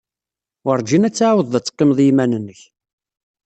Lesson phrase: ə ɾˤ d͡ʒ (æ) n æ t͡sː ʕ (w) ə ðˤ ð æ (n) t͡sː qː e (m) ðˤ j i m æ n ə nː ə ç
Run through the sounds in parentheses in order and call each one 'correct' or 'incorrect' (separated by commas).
incorrect, correct, incorrect, correct